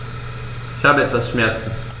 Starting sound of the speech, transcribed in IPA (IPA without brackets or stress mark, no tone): ɪ